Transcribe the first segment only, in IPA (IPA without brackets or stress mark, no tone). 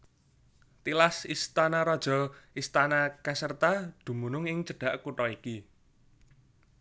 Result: t̪